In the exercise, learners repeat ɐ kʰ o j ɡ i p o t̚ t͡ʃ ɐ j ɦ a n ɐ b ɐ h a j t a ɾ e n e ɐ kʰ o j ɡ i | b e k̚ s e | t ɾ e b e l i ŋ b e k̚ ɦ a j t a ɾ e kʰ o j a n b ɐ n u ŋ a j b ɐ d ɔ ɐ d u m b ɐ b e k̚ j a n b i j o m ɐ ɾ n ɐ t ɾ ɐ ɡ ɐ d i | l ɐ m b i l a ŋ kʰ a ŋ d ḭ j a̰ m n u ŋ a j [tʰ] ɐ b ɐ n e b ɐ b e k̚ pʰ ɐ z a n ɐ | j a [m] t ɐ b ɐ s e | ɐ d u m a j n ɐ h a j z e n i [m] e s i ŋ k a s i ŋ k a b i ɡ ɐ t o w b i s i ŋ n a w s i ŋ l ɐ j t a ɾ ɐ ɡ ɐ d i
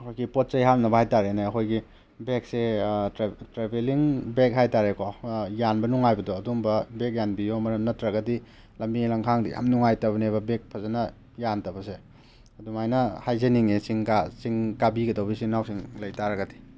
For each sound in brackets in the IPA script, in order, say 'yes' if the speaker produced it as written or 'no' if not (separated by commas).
no, no, no